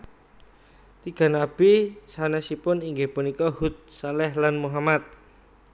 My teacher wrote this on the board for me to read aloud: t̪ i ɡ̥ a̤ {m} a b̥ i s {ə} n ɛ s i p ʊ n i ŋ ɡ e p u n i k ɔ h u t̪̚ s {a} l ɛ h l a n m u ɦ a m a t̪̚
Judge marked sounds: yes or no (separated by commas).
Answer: no, no, yes